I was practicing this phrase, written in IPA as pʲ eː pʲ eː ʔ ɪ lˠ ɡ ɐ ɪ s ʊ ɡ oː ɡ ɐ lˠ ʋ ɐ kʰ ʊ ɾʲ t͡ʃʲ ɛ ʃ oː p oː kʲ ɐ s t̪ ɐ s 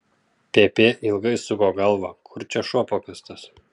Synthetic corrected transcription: pʲ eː pʲ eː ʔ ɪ lˠ ɡ ɐ ɪ s ʊ ɡ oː ɡ ɐ lˠ ʋ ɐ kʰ ʊ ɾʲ t͡ʃʲ ɛ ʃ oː p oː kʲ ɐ s t̪ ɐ s